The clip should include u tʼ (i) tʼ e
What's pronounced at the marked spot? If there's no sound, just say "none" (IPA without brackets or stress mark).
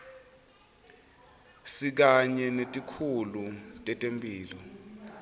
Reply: ɛ